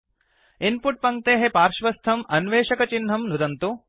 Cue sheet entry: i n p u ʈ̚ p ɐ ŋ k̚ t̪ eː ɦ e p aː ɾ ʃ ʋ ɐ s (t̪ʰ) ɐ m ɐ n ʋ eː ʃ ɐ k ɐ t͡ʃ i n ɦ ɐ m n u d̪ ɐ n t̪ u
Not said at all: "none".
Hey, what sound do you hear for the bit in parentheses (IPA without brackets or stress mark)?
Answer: t̪ʰ